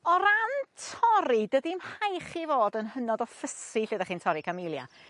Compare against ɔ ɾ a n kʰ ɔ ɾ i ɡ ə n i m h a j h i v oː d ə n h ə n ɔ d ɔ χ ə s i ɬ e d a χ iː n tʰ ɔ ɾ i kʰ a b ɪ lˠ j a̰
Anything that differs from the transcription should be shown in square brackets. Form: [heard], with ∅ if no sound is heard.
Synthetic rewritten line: ɔ ɾ a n [tʰ] ɔ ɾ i [d] ə [d] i m h a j [χ] i v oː d ə n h ə n ɔ d ɔ [f] ə s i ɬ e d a χ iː n tʰ ɔ ɾ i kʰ a [m] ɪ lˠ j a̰